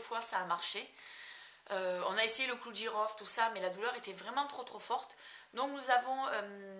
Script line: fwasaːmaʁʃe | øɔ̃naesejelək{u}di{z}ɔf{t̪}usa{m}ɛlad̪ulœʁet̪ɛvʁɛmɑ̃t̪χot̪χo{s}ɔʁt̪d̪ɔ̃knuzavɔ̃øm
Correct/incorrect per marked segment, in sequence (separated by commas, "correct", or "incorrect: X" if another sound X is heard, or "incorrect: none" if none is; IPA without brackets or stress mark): correct, incorrect: ʁ, correct, correct, incorrect: f